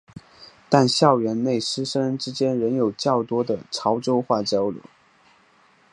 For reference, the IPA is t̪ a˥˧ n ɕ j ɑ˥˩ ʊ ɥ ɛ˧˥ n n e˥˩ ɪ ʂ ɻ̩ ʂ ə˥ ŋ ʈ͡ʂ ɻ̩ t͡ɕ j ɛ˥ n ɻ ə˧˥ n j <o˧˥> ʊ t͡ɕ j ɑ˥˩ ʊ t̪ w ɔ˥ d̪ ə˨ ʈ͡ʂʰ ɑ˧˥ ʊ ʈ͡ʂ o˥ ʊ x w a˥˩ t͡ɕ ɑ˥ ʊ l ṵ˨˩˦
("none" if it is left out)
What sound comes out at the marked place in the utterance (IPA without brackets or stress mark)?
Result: o˨˩